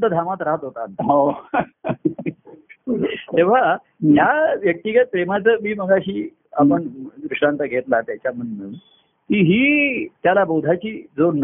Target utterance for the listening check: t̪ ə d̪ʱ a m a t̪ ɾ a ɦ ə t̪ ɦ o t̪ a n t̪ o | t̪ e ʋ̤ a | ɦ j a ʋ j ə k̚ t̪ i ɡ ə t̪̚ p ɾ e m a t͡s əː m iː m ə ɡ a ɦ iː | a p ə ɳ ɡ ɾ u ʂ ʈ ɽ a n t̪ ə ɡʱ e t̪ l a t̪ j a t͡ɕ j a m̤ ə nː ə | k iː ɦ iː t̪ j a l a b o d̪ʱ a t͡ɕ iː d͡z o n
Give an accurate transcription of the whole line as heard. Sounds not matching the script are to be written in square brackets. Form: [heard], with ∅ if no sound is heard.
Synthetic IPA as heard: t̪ ə d̪ʱ a m a t̪ ɾ a ɦ ə t̪ ɦ o t̪ a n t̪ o | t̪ e ʋ̤ a | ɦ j a ʋ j ə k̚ t̪ i ɡ ə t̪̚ p ɾ e m a t͡s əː m iː m ə ɡ a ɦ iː | a p ə ɳ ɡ ɾ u ʂ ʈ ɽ a n t̪ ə ɡʱ e t̪ l a t̪ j a t͡ɕ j a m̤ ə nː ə | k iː ɦ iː t̪ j a l a b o d̪ʱ a t͡ɕ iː d͡z o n